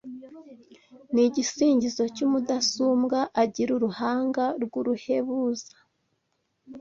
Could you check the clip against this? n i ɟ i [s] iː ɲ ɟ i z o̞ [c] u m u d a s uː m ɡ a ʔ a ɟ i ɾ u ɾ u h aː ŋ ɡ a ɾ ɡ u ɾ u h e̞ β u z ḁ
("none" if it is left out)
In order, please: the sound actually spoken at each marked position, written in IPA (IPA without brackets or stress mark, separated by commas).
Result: s, c